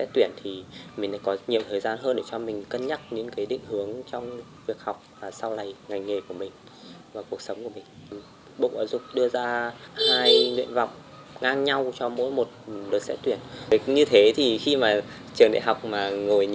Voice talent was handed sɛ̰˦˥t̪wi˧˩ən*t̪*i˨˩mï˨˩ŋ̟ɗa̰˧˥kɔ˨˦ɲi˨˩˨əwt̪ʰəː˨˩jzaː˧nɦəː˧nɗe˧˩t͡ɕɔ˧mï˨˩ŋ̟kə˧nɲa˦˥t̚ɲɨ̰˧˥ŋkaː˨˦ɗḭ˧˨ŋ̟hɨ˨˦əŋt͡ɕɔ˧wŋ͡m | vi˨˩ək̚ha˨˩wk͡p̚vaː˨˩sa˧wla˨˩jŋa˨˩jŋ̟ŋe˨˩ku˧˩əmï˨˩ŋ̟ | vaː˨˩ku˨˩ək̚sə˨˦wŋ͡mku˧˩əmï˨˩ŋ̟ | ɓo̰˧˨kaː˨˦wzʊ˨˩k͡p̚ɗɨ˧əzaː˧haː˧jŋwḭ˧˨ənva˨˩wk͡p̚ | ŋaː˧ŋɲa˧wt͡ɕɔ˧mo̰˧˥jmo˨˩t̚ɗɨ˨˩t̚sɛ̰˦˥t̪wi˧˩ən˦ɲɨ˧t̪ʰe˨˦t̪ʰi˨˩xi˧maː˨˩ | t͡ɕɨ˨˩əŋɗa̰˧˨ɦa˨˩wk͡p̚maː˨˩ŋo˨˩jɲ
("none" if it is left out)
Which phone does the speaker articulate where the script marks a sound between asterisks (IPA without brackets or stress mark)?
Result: t̪ʰ